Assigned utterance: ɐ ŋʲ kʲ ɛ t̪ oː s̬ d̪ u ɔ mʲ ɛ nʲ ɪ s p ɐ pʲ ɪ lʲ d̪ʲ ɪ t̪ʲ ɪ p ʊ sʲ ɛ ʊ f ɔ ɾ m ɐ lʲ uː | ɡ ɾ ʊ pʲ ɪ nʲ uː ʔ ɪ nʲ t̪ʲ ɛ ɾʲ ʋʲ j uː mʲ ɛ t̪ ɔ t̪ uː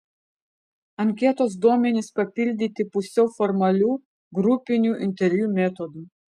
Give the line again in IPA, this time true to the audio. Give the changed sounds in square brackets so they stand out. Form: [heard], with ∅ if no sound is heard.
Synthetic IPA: ɐ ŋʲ kʲ ɛ t̪ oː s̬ d̪ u ɔ mʲ ɛ nʲ ɪ s p ɐ pʲ ɪ lʲ d̪ʲ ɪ t̪ʲ ɪ p ʊ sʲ ɛ ʊ f ɔ ɾ m ɐ lʲ uː | ɡ ɾ ʊ pʲ ɪ nʲ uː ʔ ɪ nʲ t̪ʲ ɛ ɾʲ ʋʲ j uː mʲ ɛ t̪ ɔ [d̪] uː